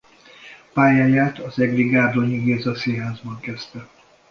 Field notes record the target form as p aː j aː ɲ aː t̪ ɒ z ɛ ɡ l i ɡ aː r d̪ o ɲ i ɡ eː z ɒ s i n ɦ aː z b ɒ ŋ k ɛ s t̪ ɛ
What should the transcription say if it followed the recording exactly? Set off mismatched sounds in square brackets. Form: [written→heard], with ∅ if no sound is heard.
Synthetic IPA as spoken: p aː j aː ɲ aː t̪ ɒ z ɛ ɡ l i ɡ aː r d̪ o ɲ i ɡ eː z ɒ s i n ɦ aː z b ɒ ŋ k ɛ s t̪ ɛ